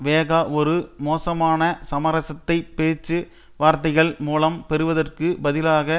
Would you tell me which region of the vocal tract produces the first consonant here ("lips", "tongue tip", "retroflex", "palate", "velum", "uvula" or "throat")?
lips